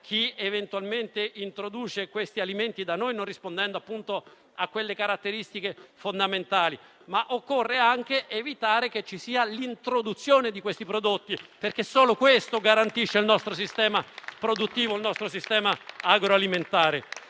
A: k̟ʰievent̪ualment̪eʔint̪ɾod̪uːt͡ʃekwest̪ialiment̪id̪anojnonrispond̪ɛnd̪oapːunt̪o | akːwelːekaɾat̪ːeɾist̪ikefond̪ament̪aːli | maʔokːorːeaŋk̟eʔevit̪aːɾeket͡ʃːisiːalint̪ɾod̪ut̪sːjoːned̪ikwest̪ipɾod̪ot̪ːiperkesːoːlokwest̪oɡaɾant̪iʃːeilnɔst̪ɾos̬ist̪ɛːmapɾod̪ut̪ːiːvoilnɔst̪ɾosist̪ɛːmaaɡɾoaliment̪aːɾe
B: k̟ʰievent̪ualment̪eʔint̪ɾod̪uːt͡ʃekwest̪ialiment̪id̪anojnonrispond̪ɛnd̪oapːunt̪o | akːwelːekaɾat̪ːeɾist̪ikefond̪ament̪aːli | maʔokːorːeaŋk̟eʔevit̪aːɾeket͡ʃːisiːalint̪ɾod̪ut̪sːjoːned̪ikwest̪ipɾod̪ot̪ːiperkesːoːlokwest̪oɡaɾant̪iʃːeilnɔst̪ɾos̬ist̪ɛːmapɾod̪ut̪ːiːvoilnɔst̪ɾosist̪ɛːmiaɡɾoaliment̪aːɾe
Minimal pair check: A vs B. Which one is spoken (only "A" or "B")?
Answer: A